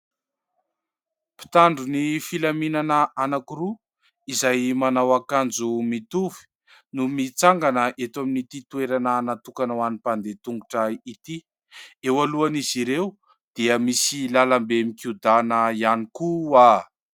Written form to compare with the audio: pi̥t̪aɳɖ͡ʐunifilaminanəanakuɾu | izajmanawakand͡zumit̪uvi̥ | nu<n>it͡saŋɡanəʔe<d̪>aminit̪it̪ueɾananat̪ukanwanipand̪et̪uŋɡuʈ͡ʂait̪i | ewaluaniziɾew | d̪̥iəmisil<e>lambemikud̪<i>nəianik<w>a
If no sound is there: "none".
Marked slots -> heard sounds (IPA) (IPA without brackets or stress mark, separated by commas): m, t̪, a, a, u